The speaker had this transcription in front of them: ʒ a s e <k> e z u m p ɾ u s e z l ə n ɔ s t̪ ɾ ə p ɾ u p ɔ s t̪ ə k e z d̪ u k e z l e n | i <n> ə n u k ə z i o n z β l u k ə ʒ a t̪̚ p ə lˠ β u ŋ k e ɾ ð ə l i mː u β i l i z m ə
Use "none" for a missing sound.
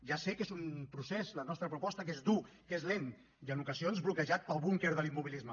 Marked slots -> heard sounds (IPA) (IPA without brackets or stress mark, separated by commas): k, none